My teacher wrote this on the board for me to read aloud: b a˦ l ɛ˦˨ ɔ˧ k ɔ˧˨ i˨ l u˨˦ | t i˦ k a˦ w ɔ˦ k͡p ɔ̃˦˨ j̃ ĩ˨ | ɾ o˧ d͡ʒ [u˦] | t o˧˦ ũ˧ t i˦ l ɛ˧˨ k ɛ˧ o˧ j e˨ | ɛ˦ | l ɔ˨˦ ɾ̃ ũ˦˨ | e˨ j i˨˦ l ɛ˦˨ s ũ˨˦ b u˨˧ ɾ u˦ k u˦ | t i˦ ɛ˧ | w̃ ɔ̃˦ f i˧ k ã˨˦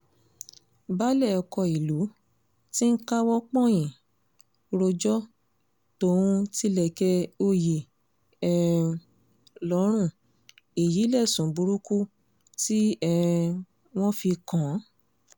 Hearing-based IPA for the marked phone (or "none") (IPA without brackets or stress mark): ɔ˦